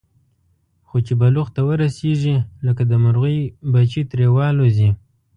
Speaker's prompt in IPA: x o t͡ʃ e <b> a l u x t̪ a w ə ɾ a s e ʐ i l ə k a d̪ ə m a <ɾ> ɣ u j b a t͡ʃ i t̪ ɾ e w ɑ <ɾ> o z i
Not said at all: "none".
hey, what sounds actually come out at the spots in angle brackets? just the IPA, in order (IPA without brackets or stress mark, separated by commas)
b, ɾ, l